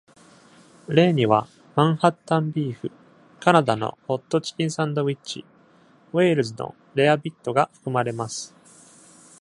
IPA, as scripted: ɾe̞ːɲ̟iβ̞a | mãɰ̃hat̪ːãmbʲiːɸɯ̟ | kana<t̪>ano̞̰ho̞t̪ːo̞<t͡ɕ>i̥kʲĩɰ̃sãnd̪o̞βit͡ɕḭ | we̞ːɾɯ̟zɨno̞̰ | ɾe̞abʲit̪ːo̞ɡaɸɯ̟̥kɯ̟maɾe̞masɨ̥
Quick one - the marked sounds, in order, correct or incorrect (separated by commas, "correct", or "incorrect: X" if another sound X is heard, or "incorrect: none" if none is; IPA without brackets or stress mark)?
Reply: incorrect: d̪, correct